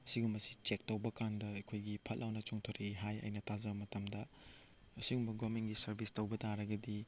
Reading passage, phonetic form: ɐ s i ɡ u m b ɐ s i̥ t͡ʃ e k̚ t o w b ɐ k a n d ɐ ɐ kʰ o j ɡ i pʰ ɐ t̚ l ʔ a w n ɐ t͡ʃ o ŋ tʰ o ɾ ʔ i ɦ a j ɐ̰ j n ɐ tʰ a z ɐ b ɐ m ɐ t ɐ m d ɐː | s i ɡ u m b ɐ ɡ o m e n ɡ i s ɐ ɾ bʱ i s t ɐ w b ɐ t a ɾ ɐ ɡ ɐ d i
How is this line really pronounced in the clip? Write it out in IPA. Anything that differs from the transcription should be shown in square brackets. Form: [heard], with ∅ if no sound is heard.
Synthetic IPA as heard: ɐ s i ɡ u m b ɐ s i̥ t͡ʃ e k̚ t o w b ɐ k a n d ɐ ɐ kʰ o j ɡ i pʰ ɐ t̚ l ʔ a w n ɐ t͡ʃ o ŋ tʰ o ɾ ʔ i ɦ a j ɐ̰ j n ɐ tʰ a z ɐ b ɐ m ɐ t ɐ m d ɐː | s i ɡ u m b ɐ ɡ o m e n ɡ i s ɐ ɾ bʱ i s t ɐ w b ɐ t a ɾ ɐ ɡ ɐ d i